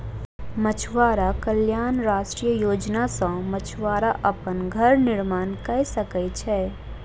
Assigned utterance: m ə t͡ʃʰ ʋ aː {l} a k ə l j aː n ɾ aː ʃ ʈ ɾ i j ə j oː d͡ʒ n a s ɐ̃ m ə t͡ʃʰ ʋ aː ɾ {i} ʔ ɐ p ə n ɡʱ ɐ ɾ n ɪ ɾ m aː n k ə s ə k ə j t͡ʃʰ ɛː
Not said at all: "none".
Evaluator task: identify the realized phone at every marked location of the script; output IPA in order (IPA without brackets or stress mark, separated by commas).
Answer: ɾ, a